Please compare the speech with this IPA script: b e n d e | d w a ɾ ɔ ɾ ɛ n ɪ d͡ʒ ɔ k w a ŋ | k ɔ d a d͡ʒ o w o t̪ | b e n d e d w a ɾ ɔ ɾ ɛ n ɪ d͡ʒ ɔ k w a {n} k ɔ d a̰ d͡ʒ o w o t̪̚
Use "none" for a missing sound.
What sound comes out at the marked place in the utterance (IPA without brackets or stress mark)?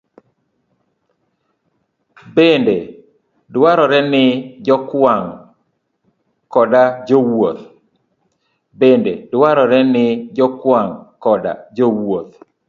ŋ